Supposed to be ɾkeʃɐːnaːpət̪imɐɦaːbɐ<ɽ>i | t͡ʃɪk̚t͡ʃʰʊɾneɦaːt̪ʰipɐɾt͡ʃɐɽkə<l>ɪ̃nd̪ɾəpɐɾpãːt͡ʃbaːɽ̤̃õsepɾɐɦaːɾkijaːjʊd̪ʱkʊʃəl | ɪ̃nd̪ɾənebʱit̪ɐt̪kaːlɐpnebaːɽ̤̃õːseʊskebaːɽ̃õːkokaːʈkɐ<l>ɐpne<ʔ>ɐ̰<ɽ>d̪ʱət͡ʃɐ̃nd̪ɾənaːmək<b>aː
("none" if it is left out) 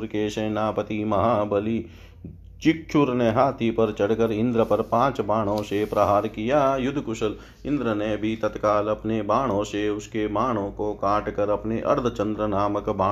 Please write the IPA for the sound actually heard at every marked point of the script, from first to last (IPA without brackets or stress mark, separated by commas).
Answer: l, ɾ, ɾ, ʔ, ɾ, b